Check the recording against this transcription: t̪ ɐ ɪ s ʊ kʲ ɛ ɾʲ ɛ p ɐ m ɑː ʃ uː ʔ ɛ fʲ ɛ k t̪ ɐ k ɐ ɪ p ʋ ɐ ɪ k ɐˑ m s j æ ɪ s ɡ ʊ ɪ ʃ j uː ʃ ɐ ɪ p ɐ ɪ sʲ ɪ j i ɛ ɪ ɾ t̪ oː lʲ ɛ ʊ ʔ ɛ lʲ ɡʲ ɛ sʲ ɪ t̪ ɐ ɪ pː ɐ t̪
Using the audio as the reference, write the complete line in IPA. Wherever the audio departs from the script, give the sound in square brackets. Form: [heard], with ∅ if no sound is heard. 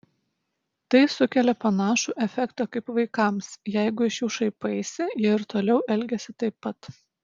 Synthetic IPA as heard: t̪ ɐ ɪ s ʊ kʲ ɛ [lʲ] ɛ p ɐ [n] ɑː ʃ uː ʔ ɛ fʲ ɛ k t̪ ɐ k ɐ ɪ p ʋ ɐ ɪ k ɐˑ m s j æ ɪ [∅] ɡ ʊ ɪ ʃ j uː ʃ ɐ ɪ p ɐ ɪ sʲ ɪ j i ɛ ɪ ɾ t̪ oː lʲ ɛ ʊ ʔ ɛ lʲ ɡʲ ɛ sʲ ɪ t̪ ɐ ɪ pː ɐ t̪

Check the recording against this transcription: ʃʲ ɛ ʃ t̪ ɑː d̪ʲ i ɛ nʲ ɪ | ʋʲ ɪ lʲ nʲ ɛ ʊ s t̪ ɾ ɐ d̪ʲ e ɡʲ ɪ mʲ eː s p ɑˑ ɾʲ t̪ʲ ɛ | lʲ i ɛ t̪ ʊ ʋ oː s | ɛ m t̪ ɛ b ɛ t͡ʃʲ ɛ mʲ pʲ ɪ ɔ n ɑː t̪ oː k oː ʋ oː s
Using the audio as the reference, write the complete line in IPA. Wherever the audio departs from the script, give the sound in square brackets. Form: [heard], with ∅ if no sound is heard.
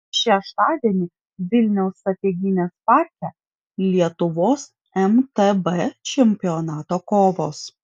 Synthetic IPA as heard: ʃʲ ɛ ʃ t̪ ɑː d̪ʲ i ɛ nʲ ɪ | ʋʲ ɪ lʲ nʲ ɛ ʊ s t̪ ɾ ɐ [t̪ʲ] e ɡʲ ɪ [nʲ] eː s p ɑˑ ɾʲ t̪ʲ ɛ | lʲ i ɛ t̪ ʊ ʋ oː s | ɛ m t̪ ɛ b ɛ t͡ʃʲ ɛ mʲ pʲ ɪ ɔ n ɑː t̪ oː k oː ʋ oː s

